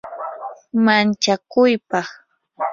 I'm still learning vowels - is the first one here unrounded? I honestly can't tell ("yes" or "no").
yes